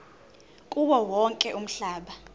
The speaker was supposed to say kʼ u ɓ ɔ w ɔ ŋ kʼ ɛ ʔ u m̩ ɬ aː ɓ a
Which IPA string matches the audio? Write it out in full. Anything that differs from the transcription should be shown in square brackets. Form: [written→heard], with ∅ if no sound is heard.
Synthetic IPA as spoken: kʼ u ɓ ɔ w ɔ ŋ kʼ ɛ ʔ u m̩ ɬ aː ɓ a